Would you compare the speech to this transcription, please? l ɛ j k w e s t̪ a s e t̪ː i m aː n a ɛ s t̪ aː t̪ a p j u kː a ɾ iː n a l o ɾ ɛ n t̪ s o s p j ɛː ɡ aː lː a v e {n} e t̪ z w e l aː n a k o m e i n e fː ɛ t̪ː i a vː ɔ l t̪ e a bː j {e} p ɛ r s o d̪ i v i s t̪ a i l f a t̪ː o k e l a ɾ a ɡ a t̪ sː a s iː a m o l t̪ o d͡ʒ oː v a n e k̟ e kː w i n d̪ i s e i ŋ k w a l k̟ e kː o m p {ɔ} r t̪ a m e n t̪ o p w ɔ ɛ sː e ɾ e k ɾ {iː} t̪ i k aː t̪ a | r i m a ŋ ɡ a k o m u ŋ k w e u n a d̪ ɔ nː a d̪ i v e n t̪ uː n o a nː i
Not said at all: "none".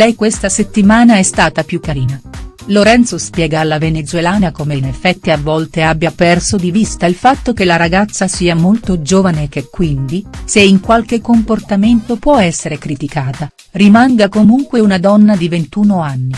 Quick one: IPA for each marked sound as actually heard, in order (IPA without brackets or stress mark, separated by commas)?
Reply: n, a, o, i